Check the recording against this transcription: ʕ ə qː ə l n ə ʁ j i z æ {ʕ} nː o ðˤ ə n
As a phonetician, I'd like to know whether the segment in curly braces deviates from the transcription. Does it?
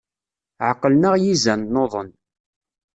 yes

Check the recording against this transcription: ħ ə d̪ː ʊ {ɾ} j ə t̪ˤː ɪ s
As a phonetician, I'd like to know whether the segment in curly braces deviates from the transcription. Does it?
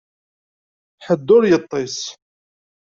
no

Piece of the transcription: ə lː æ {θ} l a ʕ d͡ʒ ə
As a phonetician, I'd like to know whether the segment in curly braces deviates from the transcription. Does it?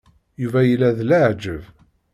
yes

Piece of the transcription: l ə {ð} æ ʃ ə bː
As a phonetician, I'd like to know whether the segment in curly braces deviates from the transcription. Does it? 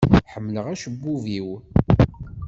yes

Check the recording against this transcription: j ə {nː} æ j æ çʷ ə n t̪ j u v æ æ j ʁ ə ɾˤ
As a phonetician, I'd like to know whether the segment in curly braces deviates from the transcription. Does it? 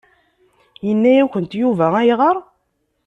no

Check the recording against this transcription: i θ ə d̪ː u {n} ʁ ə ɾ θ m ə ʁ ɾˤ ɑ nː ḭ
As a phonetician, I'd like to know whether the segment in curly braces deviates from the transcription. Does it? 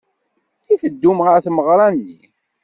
yes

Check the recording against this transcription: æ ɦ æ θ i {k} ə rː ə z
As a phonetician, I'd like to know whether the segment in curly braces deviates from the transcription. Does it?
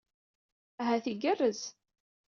yes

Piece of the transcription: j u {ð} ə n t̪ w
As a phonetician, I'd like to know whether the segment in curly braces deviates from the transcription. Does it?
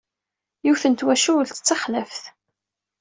yes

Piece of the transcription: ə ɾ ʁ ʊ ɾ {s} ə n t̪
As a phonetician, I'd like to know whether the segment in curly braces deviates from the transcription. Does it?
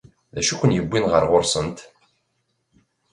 no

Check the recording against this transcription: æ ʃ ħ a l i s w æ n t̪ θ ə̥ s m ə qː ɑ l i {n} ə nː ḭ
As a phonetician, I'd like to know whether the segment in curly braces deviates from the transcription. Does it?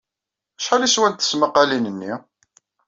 no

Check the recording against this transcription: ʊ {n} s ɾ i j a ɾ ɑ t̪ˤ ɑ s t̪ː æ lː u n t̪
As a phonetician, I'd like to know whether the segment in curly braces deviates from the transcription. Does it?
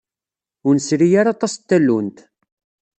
no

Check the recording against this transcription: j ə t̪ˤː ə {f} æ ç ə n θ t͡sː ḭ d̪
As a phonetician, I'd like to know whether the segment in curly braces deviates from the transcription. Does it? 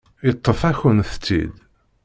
no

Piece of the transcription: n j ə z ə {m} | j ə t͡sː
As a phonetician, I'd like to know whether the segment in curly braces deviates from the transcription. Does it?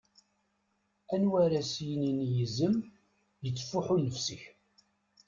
no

